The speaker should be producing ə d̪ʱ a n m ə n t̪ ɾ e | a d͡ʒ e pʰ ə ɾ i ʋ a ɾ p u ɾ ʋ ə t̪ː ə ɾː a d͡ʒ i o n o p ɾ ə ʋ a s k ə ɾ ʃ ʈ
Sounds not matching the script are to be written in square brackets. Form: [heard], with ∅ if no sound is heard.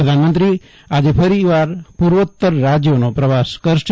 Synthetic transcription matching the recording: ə d̪ʱ a n m ə n t̪ ɾ [i] | a d͡ʒ e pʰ ə ɾ i ʋ a ɾ p u ɾ ʋ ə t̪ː ə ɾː a d͡ʒ [j] o n o p ɾ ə ʋ a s k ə ɾ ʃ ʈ